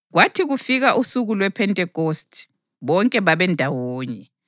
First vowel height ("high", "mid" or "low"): low